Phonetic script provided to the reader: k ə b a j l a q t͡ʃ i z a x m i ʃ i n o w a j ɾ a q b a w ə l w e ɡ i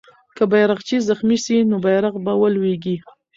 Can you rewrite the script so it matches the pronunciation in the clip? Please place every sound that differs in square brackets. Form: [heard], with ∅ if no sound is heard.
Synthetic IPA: k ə b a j [ɾ] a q t͡ʃ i z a x m i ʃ i n o [b] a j ɾ a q b a w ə l w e ɡ i